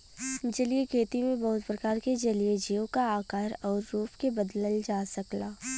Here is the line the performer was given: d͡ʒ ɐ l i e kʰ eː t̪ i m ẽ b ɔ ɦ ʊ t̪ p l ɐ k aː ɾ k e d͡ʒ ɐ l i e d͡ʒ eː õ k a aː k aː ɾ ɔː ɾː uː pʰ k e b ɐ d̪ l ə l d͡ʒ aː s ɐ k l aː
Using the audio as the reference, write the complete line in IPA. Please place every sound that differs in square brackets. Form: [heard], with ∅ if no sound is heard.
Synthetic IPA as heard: d͡ʒ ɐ l i e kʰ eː t̪ i m ẽ b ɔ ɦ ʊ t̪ p [ɾ] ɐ k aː ɾ k e d͡ʒ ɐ l i e d͡ʒ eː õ k a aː k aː ɾ ɔː ɾː uː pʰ k e b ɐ d̪ l ə l d͡ʒ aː s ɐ k l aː